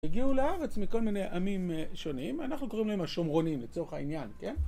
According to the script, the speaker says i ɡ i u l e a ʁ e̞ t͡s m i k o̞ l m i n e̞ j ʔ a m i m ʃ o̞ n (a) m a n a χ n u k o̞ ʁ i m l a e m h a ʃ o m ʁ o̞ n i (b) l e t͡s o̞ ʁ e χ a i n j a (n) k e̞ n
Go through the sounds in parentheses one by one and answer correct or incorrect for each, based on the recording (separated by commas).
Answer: incorrect, incorrect, correct